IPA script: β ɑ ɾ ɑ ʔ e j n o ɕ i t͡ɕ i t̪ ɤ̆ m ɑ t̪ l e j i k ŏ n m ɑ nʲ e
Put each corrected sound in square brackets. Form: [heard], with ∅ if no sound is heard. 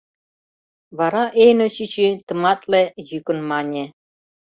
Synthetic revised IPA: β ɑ ɾ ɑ ʔ e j n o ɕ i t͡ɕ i t̪ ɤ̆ m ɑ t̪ l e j [y] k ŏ n m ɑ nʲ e